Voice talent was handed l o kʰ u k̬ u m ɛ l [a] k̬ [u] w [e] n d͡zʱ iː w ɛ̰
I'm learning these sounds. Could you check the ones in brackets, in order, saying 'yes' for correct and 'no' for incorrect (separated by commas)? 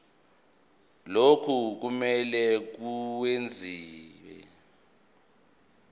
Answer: no, yes, yes